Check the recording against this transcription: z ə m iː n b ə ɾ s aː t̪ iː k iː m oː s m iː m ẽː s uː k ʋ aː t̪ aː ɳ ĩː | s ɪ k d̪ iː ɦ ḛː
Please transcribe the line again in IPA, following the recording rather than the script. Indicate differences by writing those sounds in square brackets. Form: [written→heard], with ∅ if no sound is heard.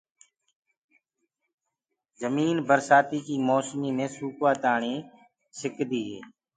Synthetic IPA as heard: z ə m iː n b ə ɾ s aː t̪ iː k iː m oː s m iː m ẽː s uː k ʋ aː t̪ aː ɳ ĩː | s ɪ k d̪ iː ɦ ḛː